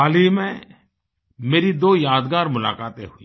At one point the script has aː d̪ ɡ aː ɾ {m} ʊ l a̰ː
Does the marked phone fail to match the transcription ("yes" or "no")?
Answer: no